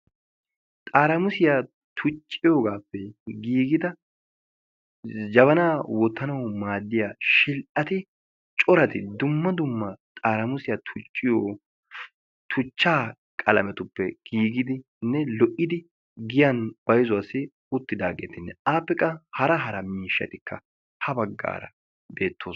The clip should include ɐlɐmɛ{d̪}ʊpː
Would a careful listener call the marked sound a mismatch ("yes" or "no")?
yes